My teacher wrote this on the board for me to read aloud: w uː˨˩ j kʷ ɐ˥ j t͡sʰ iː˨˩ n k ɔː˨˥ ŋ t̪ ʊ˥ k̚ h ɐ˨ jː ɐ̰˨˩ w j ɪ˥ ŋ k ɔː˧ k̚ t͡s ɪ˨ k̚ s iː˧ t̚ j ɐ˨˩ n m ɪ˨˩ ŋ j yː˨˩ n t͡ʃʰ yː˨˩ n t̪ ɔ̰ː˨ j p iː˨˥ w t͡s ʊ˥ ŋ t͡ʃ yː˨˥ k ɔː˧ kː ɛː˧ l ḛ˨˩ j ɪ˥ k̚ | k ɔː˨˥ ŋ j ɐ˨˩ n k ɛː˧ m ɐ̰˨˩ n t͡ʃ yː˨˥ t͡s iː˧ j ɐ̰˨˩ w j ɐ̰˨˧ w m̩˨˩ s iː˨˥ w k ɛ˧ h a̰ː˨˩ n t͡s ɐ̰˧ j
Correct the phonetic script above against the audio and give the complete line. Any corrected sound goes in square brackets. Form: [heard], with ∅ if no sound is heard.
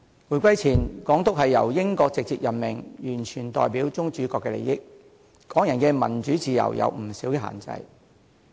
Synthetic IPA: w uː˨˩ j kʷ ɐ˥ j t͡sʰ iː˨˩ n k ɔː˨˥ ŋ t̪ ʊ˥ k̚ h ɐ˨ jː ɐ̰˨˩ w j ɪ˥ ŋ k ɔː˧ k̚ t͡s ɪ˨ k̚ [t͡s] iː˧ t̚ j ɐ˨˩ n m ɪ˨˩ ŋ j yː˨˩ n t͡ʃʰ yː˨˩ n t̪ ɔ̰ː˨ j p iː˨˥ w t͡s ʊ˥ ŋ t͡ʃ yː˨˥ k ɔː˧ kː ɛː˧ l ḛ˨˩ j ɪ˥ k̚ | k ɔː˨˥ ŋ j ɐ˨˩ n k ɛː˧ m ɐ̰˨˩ n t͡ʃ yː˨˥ t͡s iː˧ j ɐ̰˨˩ w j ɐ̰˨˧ w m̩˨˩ s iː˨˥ w k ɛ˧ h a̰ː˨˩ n t͡s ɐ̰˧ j